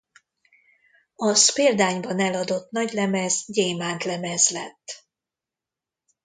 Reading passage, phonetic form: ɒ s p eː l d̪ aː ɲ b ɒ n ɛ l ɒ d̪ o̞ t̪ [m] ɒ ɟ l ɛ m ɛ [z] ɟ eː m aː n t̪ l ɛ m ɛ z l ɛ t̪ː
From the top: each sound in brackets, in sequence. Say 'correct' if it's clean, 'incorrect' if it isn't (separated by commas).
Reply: incorrect, correct